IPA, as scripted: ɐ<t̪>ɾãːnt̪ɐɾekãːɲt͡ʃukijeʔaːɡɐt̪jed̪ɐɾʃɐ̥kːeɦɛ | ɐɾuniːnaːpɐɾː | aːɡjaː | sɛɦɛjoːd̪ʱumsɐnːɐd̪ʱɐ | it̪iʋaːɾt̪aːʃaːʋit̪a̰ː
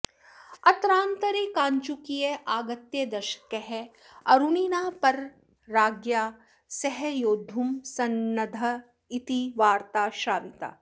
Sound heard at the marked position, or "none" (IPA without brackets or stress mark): t̪